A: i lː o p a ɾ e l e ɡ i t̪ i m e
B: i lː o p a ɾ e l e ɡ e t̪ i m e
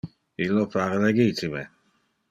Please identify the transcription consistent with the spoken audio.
A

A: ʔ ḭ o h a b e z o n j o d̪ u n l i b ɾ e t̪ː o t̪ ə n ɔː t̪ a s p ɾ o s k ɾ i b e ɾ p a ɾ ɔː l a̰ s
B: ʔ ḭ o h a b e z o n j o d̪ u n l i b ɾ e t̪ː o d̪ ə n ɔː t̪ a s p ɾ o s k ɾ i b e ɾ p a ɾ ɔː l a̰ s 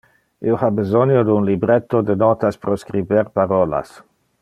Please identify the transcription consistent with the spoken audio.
B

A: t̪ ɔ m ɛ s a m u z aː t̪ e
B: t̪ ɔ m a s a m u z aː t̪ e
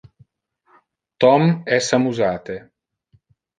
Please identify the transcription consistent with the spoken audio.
A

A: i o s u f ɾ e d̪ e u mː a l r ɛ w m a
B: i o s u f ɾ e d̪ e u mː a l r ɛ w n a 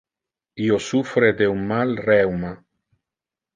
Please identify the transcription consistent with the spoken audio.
A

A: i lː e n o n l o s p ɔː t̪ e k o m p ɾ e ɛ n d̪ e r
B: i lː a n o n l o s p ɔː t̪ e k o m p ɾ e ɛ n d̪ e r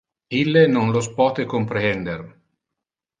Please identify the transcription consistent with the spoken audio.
A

